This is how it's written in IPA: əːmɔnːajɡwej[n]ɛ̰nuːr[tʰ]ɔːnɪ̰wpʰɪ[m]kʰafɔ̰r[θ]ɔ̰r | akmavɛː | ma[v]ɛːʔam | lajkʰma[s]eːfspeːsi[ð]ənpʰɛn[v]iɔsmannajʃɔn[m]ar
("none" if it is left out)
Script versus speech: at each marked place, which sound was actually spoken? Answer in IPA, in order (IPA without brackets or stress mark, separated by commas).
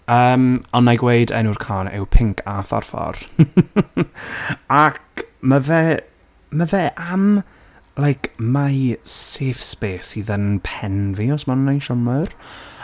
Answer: d, kʰ, ŋ, f, v, s, ð, v, m